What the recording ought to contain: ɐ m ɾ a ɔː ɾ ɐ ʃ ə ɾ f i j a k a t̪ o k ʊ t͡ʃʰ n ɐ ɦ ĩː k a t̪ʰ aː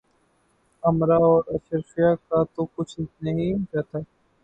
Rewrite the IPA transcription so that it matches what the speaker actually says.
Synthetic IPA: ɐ m ɾ a ɔː ɾ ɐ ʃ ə ɾ f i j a k a t̪ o k ʊ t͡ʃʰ n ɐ ɦ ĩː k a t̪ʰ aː